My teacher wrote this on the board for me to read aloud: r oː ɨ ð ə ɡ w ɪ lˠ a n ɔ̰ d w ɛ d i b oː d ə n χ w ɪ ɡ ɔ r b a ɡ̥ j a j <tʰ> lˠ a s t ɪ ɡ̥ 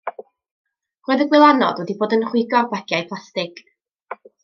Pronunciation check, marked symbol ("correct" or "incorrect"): incorrect